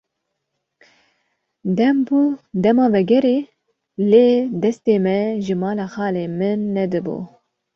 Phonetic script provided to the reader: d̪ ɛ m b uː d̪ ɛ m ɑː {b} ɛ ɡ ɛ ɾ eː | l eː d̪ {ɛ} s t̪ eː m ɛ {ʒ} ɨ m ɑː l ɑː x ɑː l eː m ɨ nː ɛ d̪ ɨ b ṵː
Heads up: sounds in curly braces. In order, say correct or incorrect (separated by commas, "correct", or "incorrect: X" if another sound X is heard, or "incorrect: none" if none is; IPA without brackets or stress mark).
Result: incorrect: v, correct, correct